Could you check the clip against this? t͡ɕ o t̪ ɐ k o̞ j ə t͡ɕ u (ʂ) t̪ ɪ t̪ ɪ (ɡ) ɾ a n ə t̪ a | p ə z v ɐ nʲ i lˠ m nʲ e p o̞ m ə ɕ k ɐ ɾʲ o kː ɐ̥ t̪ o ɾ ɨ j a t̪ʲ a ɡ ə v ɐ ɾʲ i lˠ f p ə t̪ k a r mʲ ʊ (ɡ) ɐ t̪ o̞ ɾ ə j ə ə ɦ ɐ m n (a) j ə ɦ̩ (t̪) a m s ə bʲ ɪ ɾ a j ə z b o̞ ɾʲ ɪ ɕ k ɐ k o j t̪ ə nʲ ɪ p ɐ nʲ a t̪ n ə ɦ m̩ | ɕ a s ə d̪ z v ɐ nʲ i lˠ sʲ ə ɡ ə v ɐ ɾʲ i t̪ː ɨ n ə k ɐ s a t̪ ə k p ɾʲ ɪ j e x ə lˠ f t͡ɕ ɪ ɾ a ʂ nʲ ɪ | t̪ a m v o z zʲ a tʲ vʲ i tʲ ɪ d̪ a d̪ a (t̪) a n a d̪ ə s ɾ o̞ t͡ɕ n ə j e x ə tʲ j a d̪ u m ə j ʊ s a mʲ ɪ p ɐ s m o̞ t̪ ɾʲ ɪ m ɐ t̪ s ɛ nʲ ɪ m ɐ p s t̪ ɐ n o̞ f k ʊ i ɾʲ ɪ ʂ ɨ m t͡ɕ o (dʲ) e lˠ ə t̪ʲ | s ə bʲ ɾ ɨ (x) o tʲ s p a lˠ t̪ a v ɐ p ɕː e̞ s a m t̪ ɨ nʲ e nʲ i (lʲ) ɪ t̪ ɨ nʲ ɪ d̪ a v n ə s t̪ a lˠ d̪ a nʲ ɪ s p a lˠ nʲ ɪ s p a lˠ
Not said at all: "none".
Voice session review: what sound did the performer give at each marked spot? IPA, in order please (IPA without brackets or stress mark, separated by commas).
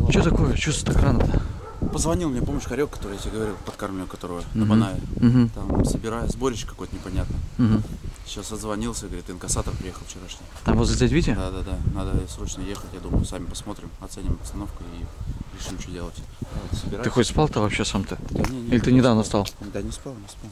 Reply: s, k, k, a, t̪, d̪, dʲ, x, lʲ